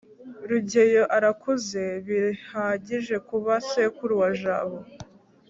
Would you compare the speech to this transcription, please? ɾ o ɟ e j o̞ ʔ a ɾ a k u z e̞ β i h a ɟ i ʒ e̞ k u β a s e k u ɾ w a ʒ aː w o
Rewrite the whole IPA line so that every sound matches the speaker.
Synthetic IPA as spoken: ɾ u ɟ e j o̞ ʔ a ɾ a k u z e̞ β i h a ɟ i ʒ e̞ k u β a s e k u ɾ w a ʒ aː β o